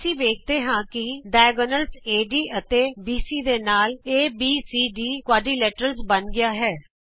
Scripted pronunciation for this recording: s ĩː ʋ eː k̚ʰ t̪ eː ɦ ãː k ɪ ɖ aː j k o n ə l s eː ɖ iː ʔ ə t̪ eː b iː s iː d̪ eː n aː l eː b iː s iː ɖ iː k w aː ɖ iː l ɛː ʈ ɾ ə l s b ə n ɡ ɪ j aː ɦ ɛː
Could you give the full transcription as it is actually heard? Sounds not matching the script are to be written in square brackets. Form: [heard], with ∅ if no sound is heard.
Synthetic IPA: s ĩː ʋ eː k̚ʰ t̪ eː ɦ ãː k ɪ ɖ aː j [ɡ] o n ə l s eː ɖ iː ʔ ə t̪ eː b iː s iː d̪ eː n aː l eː b iː s iː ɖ iː k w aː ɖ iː l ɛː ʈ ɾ ə l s b ə n ɡ ɪ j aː ɦ ɛː